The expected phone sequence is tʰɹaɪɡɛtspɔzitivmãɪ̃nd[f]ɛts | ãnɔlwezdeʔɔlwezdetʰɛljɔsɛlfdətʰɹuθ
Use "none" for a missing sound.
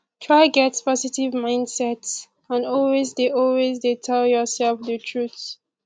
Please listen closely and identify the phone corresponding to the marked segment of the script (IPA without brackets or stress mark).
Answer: s